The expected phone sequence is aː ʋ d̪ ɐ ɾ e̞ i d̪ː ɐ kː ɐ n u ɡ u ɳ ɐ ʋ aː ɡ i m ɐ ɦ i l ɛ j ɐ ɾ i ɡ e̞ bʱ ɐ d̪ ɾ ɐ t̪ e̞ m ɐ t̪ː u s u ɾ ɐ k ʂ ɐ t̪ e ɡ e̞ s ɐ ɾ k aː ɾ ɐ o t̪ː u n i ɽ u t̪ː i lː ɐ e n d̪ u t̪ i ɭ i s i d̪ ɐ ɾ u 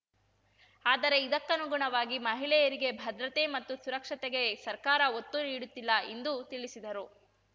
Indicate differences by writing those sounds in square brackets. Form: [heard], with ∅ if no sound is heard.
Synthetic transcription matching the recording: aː [∅] d̪ ɐ ɾ e̞ i [d̪] ɐ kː ɐ n u ɡ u ɳ ɐ ʋ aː ɡ i m ɐ ɦ i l ɛ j ɐ ɾ i ɡ e̞ bʱ ɐ d̪ ɾ ɐ t̪ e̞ m ɐ t̪ː u s u ɾ ɐ k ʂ ɐ t̪ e ɡ e̞ s ɐ ɾ k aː ɾ ɐ o t̪ː u n [iː] ɽ u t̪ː i lː ɐ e n d̪ u t̪ i ɭ i s i d̪ ɐ ɾ u